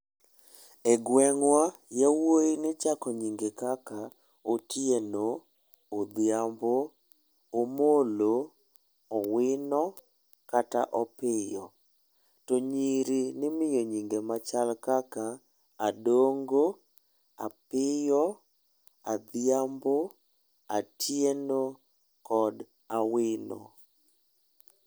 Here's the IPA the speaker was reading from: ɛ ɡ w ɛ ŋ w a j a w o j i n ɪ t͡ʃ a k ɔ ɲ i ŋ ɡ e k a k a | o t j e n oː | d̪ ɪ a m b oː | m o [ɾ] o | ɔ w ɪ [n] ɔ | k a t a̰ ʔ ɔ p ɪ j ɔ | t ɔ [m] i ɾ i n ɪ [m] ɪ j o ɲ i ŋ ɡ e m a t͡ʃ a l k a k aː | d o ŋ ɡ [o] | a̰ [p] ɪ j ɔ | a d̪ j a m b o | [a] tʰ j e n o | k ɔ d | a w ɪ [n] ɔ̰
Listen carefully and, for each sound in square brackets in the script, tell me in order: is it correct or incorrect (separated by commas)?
incorrect, correct, incorrect, correct, correct, correct, correct, correct